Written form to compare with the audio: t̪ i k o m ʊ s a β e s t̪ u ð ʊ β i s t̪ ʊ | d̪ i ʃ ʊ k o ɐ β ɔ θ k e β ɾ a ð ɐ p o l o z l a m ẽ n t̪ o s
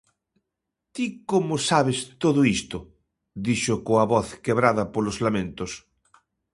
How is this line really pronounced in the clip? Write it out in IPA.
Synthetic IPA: t̪ i k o m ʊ s a β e s t̪ o ð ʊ i s t̪ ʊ | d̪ i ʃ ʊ k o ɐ β ɔ θ k e β ɾ a ð ɐ p o l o z l a m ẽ n t̪ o s